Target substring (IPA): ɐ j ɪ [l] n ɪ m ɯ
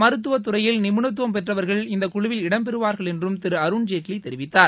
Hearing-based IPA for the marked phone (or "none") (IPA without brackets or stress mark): l